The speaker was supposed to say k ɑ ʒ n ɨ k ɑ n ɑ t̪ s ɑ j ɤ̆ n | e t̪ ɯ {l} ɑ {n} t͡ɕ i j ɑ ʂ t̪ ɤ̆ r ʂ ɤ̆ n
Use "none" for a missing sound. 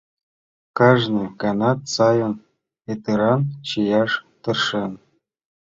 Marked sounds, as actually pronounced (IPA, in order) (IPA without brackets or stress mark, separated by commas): ɾ, n